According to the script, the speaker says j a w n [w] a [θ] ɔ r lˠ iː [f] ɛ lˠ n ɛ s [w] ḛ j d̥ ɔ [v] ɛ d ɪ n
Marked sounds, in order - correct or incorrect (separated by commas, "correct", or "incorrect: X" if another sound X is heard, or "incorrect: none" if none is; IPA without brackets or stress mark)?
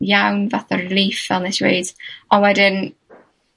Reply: incorrect: v, correct, correct, correct, incorrect: w